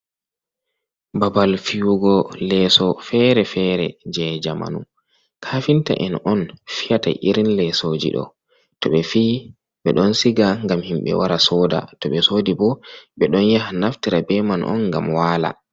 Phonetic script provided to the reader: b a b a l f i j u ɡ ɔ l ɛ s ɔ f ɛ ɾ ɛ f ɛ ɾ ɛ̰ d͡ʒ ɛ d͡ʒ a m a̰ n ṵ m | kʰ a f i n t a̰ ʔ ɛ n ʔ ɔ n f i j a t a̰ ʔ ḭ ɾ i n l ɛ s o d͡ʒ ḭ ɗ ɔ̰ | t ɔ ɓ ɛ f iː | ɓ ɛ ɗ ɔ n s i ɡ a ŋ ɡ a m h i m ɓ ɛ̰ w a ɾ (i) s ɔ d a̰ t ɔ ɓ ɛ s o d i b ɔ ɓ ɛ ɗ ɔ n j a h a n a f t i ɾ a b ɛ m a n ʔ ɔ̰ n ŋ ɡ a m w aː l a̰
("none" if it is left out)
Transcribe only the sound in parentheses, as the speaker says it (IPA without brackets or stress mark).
a